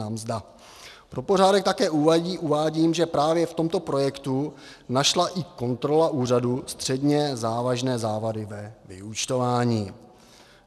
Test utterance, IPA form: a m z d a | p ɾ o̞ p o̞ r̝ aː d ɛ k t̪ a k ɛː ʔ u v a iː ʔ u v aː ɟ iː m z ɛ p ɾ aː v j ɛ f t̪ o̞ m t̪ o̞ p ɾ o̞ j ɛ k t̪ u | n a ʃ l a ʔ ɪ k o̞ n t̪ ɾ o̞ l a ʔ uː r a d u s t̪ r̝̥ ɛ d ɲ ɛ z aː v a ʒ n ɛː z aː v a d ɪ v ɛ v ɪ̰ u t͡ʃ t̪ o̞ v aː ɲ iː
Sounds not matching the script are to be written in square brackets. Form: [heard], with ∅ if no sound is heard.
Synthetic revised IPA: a m z d a | p ɾ o̞ p o̞ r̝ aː d ɛ k t̪ a k ɛː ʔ u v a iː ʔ u v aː ɟ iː m [ʒ] ɛ p ɾ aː v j ɛ f t̪ o̞ m t̪ o̞ p ɾ o̞ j ɛ k t̪ u | n a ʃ l a ʔ ɪ k o̞ n t̪ ɾ o̞ l a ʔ uː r a d u s t̪ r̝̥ ɛ d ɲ ɛ z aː v a ʒ n ɛː z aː v a d ɪ v ɛ v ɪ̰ u t͡ʃ t̪ o̞ v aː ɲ iː

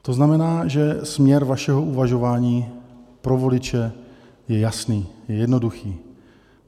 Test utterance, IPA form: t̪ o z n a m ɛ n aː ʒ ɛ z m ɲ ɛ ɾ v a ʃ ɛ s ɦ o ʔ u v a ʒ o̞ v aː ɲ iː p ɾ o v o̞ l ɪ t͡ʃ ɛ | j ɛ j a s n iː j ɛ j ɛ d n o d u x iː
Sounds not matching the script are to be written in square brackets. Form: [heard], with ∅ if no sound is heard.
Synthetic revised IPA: t̪ o z n a m ɛ n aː ʒ ɛ [s] m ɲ ɛ ɾ v a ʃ ɛ [∅] ɦ o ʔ u v a ʒ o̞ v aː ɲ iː p ɾ o v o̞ l ɪ t͡ʃ ɛ | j ɛ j a s n iː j ɛ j ɛ d n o d u x iː

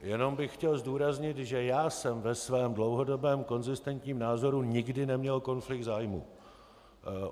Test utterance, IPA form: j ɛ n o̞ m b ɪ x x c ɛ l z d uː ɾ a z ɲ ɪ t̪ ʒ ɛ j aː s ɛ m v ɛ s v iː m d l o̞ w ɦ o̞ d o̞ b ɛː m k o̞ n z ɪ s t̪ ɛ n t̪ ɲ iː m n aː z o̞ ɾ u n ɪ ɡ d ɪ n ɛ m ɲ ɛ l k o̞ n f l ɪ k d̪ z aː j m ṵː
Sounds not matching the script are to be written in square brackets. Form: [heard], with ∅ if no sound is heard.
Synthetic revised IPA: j ɛ n o̞ m b ɪ x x c ɛ l z d uː ɾ a z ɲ ɪ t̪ ʒ ɛ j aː s ɛ m v ɛ s v [ɛː] m d l o̞ w ɦ o̞ d o̞ b ɛː m k o̞ n z ɪ s t̪ ɛ n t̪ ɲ iː m n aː z o̞ ɾ u [ɲ] ɪ ɡ d ɪ n ɛ m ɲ ɛ l k o̞ n f l ɪ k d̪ z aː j m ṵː

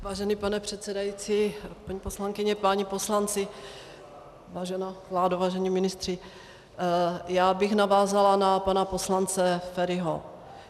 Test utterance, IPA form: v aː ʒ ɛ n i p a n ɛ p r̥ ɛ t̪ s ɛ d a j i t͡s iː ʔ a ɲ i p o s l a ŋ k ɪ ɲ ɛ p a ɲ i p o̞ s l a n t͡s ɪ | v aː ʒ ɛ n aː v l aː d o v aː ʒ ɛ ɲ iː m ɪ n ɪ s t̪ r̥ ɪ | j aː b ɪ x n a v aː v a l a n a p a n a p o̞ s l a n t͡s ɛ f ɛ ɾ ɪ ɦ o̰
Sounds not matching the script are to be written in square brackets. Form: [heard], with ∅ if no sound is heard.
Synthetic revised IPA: v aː ʒ ɛ n i p a n ɛ p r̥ ɛ t̪ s ɛ d a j i t͡s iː [p] a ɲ i p o s l a ŋ k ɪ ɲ ɛ p a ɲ i p o̞ s l a n t͡s ɪ | v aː ʒ ɛ n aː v l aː d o v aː ʒ ɛ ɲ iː m ɪ n ɪ s t̪ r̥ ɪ | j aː b ɪ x n a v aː [z] a l a n a p a n a p o̞ s l a n t͡s ɛ f ɛ ɾ ɪ ɦ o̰

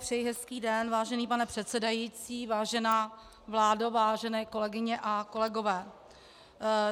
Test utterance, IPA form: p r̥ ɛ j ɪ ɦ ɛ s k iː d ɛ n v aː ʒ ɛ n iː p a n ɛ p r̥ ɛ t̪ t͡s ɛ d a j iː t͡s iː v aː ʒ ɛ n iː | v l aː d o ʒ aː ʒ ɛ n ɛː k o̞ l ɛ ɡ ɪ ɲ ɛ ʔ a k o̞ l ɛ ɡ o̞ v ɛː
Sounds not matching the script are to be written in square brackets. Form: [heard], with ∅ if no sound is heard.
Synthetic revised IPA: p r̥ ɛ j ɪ ɦ ɛ s k iː d ɛ n v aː ʒ ɛ n iː p a n ɛ p r̥ ɛ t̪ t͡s ɛ d a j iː t͡s iː v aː ʒ ɛ n [aː] | v l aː d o [v] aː ʒ ɛ n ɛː k o̞ l ɛ ɡ ɪ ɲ ɛ ʔ a k o̞ l ɛ ɡ o̞ v ɛː

